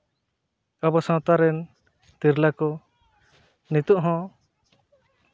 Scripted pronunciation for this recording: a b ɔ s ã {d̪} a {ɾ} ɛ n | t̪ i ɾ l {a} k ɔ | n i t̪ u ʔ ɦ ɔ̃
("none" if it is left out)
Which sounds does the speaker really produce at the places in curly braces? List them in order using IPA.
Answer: t̪, ɾ, a

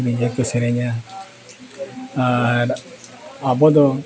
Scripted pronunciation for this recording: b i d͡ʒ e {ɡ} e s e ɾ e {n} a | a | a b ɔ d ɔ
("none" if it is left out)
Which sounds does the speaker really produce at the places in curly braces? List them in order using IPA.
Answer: k, ɲ

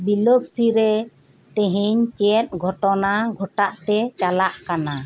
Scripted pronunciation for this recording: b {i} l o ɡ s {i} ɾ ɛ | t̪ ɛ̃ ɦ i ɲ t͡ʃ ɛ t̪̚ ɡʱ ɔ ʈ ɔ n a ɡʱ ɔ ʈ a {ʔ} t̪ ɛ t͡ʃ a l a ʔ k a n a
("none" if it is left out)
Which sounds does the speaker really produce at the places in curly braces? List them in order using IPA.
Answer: i, i, ʔ

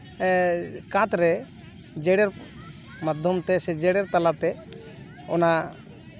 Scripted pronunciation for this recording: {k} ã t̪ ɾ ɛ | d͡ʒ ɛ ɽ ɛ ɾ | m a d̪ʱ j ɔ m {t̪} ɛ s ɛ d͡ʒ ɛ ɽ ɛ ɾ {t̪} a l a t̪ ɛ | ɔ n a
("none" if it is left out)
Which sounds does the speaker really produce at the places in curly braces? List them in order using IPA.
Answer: k, t̪, t̪

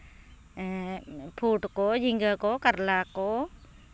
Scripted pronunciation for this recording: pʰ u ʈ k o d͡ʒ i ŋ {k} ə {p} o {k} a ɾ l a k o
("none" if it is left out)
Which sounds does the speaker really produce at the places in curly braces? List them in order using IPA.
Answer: ɡ, k, k

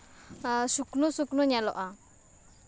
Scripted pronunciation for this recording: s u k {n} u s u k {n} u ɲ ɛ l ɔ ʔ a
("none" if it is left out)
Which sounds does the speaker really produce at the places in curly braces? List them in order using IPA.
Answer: n, n

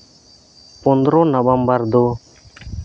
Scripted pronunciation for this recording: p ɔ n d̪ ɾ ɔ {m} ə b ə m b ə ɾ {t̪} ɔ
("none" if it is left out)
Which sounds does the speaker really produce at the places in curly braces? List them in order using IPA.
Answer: n, d̪

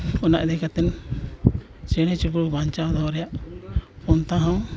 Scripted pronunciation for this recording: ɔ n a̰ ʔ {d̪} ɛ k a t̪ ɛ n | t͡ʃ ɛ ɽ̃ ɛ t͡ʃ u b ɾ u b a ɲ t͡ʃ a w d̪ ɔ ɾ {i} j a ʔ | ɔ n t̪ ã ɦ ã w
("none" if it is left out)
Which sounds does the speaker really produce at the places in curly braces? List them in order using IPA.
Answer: d̪, ɛ

